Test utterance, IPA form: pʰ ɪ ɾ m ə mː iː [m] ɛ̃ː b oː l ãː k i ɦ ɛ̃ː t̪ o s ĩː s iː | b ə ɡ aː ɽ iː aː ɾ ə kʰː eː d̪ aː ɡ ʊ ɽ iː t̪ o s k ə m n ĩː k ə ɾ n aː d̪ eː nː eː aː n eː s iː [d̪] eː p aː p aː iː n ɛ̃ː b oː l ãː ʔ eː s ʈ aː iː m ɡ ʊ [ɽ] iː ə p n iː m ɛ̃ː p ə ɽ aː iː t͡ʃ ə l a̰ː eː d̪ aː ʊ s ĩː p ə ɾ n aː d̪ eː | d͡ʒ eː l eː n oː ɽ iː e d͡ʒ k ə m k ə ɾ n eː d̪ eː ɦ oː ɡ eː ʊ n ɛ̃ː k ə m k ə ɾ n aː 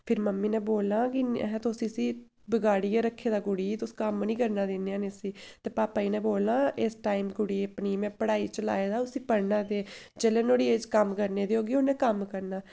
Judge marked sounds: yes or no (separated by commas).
no, no, yes